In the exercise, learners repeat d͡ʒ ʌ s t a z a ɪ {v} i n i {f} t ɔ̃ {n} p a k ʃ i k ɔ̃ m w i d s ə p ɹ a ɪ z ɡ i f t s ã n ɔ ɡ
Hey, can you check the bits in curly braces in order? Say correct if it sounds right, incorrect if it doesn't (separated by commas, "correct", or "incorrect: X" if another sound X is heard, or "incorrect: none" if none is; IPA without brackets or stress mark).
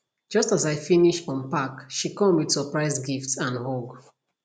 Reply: incorrect: f, incorrect: ʃ, correct